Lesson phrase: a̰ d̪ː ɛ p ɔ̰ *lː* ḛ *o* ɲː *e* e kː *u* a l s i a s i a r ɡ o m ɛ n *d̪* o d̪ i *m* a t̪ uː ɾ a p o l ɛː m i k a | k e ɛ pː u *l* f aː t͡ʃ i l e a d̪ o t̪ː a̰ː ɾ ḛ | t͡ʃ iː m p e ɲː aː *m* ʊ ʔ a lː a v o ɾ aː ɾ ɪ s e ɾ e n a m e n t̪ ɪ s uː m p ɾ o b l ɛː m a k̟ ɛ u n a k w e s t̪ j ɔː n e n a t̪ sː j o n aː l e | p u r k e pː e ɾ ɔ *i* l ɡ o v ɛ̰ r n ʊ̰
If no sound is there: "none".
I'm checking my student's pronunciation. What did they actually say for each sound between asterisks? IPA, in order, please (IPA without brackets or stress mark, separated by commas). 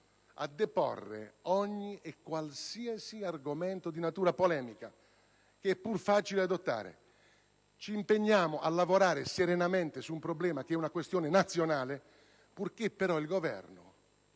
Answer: rː, ɔ, i, w, t̪, n, r, m, i